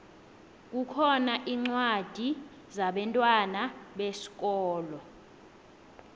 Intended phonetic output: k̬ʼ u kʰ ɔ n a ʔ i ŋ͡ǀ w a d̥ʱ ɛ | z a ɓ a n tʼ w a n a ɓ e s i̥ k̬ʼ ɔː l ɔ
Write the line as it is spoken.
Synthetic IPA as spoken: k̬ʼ u kʰ ɔ n a ʔ i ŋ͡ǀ w a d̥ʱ i | z a ɓ ɛ n tʼ w a n a ɓ e s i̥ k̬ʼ ɔː l ɔ